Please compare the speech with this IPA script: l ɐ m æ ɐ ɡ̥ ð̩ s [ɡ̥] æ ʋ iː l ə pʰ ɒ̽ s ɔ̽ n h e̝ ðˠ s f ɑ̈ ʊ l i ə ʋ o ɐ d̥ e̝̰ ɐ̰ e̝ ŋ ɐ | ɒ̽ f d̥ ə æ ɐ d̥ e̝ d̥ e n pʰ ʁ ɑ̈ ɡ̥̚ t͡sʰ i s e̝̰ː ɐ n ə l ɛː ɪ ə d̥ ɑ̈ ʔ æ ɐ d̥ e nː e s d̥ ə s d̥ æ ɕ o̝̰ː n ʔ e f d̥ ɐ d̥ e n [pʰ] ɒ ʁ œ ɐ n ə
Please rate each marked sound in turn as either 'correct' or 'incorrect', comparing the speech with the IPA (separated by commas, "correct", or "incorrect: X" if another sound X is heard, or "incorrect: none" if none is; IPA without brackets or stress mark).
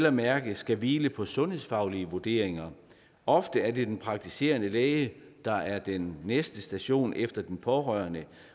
correct, correct